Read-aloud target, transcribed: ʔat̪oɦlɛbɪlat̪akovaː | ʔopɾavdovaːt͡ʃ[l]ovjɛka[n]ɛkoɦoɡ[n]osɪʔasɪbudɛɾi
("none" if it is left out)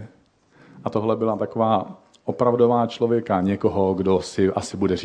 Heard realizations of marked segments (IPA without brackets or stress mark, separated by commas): l, ɲ, d